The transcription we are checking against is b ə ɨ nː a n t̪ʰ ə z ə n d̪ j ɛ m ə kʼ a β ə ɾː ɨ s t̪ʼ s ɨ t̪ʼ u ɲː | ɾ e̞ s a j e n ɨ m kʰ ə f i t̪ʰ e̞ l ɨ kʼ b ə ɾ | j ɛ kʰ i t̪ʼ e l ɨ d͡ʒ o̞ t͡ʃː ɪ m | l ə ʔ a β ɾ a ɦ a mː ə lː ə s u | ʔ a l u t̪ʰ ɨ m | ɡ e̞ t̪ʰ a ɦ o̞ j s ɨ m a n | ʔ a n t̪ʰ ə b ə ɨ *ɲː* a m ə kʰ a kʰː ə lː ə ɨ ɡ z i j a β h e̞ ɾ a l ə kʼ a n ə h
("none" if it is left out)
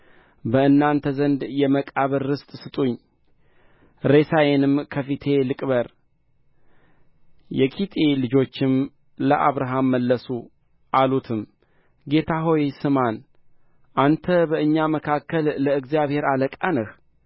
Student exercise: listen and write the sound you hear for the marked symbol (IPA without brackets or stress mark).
ɲː